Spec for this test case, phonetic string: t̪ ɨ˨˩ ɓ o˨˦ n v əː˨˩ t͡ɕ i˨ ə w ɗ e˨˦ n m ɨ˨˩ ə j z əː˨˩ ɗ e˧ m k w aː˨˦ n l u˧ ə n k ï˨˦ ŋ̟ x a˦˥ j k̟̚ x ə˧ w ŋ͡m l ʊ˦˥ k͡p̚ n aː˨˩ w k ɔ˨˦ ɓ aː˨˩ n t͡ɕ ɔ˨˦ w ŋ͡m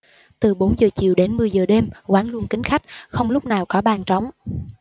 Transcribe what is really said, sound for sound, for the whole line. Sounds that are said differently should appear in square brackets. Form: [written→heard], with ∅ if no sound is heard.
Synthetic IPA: t̪ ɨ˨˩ ɓ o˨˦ n [v→z] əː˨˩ t͡ɕ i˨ ə w ɗ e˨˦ n m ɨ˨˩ ə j z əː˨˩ ɗ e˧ m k w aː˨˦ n l u˧ ə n k ï˨˦ ŋ̟ x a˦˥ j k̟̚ x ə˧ w ŋ͡m l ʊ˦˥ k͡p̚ n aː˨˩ w k ɔ˨˦ ɓ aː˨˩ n t͡ɕ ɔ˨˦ w ŋ͡m

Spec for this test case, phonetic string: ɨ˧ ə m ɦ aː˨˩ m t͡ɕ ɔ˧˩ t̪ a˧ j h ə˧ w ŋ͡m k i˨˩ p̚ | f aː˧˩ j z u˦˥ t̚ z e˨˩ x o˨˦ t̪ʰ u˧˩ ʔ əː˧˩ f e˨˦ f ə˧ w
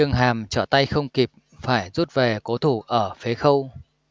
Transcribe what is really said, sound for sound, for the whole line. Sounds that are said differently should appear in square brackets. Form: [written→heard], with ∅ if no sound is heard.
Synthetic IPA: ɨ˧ ə [m→ŋ] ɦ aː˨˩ m t͡ɕ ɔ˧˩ t̪ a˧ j [h→x] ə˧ w ŋ͡m k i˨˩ p̚ | f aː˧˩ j z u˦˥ t̚ [z→v] e˨˩ [x→k] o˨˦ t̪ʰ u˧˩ ʔ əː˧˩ f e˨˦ [f→x] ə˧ w

